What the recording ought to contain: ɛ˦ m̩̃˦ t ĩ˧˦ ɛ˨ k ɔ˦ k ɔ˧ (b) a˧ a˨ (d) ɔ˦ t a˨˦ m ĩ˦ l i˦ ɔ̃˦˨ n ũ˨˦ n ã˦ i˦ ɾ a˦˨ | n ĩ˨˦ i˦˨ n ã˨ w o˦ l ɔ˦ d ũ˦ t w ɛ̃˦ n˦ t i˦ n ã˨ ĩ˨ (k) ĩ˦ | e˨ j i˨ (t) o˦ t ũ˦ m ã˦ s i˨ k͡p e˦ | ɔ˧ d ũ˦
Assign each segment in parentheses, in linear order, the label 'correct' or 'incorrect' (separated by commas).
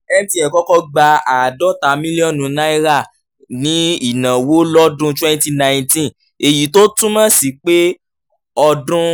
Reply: incorrect, correct, incorrect, correct